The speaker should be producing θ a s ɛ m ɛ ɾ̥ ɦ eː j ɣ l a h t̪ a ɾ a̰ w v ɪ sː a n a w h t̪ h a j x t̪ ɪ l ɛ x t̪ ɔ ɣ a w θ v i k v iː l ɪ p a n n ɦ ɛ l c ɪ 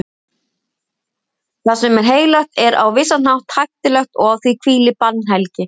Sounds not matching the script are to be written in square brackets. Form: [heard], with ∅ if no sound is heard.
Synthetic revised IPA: θ a s ɛ m ɛ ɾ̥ ɦ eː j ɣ l a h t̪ [ɛ] ɾ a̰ w v ɪ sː a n a w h t̪ h a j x t̪ ɪ l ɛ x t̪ ɔ ɣ a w θ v i [kʰ] v iː l ɪ p a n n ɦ ɛ l c ɪ